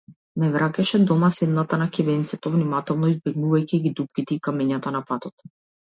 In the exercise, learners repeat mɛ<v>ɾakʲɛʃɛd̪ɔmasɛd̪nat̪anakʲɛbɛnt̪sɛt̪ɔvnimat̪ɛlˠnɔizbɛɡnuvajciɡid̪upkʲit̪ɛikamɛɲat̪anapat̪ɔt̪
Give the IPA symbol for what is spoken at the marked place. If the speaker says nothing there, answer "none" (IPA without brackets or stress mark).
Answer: v